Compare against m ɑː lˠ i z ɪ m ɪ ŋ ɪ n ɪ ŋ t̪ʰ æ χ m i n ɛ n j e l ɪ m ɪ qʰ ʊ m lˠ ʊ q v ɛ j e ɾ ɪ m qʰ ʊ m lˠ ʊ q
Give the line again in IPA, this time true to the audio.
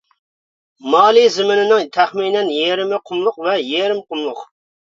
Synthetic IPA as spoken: m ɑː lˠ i z ɪ m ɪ n ɪ n ɪ ŋ t̪ʰ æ χ m i n ɛ n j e ɾ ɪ m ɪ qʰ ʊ m lˠ ʊ q v ɛ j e ɾ ɪ m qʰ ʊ m lˠ ʊ q